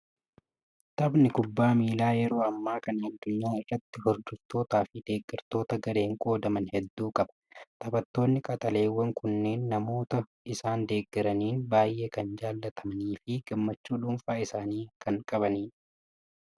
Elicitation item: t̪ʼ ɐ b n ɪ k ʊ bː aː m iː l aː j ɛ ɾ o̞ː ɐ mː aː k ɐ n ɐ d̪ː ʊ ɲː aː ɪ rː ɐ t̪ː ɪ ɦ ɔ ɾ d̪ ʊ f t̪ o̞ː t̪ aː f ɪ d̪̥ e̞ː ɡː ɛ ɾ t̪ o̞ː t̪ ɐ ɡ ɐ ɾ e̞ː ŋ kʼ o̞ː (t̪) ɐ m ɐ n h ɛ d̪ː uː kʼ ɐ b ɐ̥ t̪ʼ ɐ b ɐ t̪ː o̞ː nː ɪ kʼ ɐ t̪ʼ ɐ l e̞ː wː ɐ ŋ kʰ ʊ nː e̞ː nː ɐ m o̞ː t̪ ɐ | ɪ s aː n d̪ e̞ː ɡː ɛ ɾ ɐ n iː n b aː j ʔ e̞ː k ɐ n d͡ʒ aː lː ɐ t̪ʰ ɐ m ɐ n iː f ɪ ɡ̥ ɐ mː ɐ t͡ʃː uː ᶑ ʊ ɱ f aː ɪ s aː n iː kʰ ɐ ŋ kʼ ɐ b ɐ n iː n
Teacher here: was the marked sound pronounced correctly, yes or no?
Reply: no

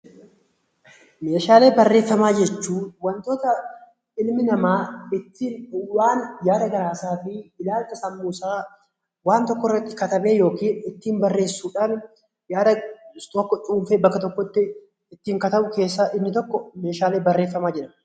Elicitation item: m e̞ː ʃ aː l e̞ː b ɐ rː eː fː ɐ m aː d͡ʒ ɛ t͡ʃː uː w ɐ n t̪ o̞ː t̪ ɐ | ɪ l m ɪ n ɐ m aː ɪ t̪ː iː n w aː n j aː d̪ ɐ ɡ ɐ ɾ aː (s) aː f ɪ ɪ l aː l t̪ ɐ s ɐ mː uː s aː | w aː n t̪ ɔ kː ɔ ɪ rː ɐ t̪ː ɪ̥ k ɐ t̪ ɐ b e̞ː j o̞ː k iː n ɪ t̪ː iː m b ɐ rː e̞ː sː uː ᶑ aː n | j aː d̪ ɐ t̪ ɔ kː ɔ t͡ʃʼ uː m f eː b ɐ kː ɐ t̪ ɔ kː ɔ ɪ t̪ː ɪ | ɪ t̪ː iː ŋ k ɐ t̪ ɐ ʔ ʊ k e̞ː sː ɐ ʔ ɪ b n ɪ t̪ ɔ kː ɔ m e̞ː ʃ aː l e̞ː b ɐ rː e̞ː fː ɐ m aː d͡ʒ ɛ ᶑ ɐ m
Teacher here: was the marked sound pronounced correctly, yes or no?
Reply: yes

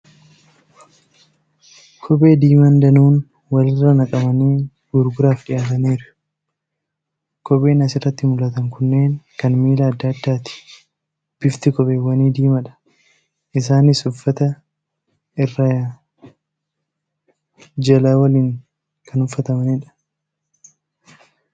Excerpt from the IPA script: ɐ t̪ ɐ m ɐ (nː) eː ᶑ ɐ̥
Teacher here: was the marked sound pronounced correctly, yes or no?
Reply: no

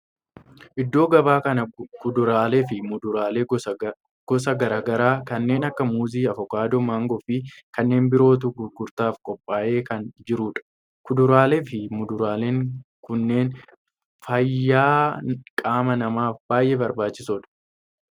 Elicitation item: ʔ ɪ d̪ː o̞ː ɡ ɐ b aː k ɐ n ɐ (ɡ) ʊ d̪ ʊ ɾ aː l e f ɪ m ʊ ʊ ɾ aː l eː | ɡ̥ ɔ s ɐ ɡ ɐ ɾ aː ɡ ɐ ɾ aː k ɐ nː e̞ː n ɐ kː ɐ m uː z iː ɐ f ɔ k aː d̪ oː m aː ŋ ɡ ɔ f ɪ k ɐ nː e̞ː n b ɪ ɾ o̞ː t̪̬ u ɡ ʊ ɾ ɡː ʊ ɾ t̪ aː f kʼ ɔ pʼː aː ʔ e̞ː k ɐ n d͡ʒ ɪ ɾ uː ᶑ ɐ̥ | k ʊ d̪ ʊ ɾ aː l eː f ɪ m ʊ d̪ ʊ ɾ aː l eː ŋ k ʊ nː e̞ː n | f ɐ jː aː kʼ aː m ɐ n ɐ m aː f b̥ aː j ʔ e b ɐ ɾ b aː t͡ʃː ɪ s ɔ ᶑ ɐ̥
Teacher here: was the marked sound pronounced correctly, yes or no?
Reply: no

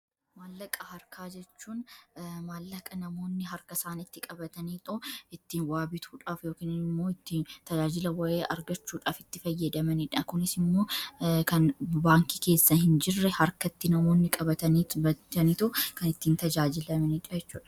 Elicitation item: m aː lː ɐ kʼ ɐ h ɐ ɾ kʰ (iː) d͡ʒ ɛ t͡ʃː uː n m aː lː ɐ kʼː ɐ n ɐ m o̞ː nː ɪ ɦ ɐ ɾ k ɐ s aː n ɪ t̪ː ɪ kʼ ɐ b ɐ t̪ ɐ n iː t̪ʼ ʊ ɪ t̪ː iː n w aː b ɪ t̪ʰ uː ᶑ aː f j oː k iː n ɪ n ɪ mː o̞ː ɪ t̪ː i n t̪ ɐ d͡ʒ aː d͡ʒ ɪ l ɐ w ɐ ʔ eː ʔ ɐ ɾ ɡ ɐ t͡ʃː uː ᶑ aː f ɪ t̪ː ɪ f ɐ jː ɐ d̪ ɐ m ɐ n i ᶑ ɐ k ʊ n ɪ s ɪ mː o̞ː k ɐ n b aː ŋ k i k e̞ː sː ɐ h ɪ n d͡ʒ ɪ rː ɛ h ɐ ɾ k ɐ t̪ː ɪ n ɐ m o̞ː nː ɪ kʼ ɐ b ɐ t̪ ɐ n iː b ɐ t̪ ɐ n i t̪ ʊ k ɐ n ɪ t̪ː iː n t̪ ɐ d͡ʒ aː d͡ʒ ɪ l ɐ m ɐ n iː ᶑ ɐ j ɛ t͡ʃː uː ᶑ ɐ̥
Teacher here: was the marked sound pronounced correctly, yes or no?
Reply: no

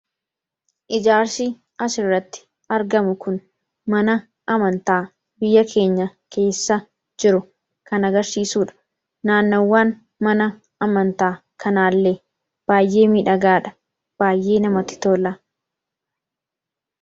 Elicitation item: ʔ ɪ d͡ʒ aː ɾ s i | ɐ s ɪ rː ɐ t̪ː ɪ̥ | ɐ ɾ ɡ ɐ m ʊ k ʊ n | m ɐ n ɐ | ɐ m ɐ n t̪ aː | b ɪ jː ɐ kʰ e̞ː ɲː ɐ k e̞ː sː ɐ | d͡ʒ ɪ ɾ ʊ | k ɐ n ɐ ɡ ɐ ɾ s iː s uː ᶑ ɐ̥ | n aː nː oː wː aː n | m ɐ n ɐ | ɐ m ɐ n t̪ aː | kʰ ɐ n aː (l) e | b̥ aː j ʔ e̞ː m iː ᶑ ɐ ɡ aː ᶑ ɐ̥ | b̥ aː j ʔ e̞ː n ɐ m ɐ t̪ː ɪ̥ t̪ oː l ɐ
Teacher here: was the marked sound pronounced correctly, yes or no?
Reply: no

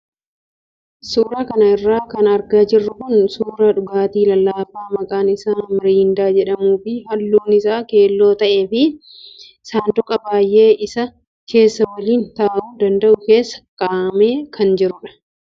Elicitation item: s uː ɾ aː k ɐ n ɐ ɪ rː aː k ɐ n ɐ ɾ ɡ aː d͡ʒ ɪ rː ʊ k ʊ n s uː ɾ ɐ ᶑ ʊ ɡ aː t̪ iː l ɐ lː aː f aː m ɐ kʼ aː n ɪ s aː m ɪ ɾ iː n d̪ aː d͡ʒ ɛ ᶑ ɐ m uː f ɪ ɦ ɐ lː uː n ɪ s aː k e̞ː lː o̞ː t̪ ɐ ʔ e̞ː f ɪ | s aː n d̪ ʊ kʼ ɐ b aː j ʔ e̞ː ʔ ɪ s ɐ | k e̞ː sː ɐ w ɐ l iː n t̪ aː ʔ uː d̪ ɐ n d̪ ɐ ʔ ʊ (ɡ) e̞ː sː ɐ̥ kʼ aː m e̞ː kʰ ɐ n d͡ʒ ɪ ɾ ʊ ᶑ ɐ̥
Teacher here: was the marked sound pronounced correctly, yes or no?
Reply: no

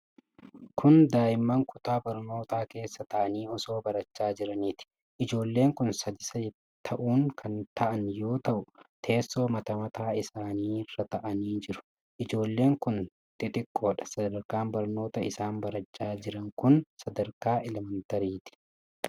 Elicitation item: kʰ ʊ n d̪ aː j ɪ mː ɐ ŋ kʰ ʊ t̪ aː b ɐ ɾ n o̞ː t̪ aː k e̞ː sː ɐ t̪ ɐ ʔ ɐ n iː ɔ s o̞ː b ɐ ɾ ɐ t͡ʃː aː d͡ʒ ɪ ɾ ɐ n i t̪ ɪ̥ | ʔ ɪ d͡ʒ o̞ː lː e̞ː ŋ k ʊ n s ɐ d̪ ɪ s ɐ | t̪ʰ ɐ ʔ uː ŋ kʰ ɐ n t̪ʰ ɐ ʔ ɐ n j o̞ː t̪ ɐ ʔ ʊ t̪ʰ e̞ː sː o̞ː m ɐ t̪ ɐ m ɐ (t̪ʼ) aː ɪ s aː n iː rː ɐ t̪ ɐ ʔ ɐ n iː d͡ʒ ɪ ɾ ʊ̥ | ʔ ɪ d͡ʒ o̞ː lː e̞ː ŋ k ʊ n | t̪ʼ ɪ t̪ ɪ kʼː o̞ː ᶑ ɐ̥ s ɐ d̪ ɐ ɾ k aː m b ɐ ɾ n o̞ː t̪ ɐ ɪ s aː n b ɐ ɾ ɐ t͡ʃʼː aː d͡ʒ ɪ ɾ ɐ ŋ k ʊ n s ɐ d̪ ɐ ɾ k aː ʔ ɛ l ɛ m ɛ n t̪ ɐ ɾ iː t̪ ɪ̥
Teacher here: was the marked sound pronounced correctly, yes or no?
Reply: no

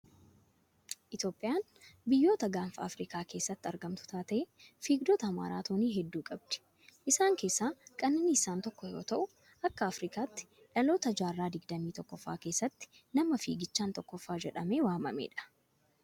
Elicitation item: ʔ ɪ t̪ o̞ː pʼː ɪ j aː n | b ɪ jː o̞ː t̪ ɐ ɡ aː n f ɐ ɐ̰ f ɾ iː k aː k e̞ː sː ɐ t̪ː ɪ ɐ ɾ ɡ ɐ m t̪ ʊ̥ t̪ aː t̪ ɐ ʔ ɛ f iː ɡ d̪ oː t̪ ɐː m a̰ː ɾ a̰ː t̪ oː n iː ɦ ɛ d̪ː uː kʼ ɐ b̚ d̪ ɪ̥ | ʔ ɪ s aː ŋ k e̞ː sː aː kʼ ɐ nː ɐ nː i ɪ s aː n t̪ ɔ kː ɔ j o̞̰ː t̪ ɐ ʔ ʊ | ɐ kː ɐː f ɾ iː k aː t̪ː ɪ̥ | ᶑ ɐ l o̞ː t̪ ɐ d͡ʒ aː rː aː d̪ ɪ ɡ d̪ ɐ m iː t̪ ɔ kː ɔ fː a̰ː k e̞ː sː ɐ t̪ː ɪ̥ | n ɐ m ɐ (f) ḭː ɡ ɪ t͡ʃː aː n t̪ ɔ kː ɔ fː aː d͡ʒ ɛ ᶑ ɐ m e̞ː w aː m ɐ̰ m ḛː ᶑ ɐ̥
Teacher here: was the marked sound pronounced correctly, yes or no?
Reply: yes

